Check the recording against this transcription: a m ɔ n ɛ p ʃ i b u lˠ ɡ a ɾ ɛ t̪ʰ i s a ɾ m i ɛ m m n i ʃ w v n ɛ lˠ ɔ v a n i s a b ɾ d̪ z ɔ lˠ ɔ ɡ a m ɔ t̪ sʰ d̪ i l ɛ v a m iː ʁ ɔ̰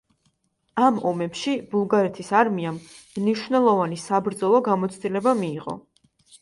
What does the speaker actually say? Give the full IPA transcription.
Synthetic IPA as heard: a m ɔ m ɛ p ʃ i b u lˠ ɡ a ɾ ɛ t̪ʰ i s a ɾ m i a m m n i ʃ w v n ɛ lˠ ɔ v a n i s a b ɾ d̪ z ɔ lˠ ɔ ɡ a m ɔ t̪ sʰ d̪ i l ɛ b a m iː ʁ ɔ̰